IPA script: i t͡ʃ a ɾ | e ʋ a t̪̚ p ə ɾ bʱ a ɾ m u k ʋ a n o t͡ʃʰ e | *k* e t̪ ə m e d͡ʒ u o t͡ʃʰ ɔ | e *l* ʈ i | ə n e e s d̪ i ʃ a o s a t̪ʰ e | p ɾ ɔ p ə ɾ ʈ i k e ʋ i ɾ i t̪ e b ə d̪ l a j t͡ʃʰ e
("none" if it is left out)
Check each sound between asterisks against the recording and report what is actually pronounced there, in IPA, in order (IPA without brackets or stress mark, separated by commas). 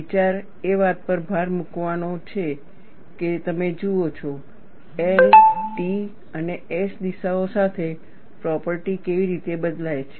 k, l